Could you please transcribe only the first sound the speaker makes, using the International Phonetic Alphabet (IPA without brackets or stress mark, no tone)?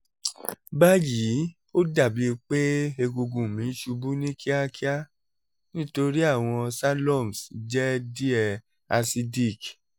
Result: b